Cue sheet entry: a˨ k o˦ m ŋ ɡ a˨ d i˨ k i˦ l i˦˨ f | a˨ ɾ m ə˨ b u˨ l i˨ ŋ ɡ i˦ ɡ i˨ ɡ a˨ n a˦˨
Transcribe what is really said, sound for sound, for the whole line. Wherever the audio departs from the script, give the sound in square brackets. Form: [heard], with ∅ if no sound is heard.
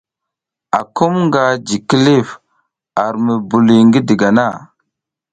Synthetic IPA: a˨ k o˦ m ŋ ɡ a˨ [d͡ʒ] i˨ k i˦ l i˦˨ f | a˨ ɾ m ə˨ b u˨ l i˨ ŋ ɡ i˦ [d] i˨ ɡ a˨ n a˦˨